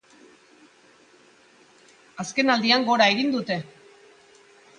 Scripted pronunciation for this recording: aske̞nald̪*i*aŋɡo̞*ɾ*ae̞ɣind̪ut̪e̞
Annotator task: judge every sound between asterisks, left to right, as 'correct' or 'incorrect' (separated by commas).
correct, correct